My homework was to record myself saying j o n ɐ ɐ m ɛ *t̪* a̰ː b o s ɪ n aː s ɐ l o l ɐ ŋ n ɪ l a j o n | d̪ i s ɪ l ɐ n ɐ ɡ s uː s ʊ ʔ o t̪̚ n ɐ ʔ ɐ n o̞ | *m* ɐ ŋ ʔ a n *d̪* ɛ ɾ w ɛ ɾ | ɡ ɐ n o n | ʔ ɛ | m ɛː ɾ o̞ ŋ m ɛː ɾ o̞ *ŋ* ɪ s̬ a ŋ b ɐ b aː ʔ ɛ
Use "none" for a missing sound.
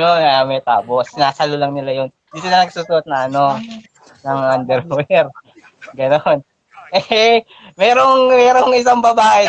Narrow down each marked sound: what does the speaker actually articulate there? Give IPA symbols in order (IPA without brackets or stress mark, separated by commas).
t̪, n, d̪, ŋ